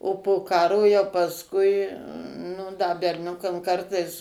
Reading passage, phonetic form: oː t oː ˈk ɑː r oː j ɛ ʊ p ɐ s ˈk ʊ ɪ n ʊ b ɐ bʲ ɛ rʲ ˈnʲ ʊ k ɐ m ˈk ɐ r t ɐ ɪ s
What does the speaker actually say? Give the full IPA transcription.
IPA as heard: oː p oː ˈk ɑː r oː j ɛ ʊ p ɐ s ˈk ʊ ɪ n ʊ d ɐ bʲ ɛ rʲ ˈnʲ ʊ k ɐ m ˈk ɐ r t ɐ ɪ s